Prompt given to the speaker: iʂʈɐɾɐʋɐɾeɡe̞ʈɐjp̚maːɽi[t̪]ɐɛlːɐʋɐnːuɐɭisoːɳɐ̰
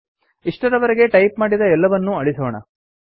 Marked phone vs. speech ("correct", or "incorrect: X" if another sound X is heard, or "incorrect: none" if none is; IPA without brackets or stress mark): incorrect: d̪